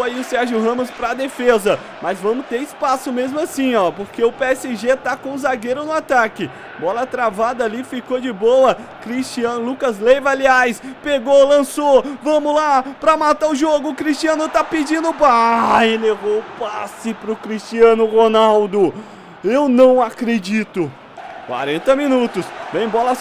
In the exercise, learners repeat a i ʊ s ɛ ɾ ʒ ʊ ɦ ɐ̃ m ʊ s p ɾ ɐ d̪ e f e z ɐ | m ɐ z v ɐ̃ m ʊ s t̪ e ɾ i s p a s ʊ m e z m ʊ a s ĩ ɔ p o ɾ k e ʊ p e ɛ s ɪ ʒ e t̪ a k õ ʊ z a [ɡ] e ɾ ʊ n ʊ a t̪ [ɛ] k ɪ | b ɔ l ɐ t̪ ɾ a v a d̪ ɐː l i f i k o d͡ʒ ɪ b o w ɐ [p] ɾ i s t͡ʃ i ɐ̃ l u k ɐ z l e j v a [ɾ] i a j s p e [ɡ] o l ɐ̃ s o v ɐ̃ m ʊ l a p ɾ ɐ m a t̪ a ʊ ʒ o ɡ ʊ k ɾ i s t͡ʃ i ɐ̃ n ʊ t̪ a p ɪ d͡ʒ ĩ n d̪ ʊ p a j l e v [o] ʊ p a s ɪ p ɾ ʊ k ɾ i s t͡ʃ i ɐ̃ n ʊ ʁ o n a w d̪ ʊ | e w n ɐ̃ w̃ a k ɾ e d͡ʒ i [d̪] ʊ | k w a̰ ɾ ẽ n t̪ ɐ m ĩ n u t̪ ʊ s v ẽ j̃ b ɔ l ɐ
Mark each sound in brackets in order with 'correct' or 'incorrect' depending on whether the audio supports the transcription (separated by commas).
correct, incorrect, incorrect, incorrect, correct, correct, incorrect